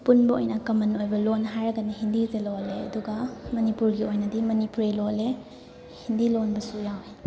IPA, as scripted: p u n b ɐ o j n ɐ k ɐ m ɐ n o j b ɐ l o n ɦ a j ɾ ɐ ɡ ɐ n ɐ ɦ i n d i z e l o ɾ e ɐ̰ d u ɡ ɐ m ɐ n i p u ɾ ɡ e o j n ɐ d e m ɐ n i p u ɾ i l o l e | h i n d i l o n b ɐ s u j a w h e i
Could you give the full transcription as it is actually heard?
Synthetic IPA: p u n b ɐ o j n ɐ k ɐ m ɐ n o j b ɐ l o n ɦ a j ɾ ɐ ɡ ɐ n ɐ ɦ i n d i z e l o l e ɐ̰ d u ɡ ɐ m ɐ n i p u ɾ ɡ i o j n ɐ d i m ɐ n i p u ɾ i l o l e | h i n d i l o n b ɐ s u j a w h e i